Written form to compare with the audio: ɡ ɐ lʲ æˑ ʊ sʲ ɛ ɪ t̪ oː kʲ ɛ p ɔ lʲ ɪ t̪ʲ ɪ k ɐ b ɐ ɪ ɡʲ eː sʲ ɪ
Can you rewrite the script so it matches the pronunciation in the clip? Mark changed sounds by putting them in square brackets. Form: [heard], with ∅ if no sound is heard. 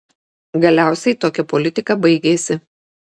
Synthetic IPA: ɡ ɐ lʲ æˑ ʊ sʲ ɛ ɪ t̪ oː kʲ ɛ p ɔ lʲ ɪ t̪ʲ ɪ k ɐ b ɐ ɪ ɡʲ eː sʲ ɪ